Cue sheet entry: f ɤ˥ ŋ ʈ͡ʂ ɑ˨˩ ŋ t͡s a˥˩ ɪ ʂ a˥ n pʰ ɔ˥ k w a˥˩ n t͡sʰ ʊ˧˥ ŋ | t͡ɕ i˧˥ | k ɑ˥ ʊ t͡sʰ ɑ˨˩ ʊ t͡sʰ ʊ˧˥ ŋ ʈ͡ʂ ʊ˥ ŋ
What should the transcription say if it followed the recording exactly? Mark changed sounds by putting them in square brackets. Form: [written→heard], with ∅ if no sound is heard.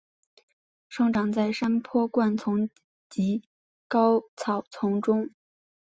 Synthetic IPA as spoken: [f→ʂ] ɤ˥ ŋ ʈ͡ʂ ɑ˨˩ ŋ t͡s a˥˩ ɪ ʂ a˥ n pʰ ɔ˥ k w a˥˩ n t͡sʰ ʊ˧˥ ŋ | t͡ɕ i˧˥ | k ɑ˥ ʊ t͡sʰ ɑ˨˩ ʊ t͡sʰ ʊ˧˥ ŋ ʈ͡ʂ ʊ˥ ŋ